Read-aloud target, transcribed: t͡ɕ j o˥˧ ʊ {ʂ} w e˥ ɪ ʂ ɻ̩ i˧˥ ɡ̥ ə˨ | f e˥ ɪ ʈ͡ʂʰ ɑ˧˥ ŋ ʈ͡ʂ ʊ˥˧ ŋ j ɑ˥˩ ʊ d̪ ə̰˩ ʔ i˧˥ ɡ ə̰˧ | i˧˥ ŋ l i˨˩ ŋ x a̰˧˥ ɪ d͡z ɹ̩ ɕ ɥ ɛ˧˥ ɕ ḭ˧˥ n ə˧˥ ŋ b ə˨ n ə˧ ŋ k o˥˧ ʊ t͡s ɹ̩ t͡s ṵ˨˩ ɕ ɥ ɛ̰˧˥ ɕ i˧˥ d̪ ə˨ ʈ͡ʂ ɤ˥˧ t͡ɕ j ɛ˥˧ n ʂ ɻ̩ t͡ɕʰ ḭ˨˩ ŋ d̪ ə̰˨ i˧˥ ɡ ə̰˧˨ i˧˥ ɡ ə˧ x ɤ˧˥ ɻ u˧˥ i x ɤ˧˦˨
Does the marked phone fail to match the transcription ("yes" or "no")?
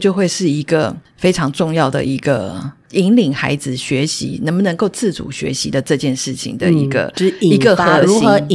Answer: yes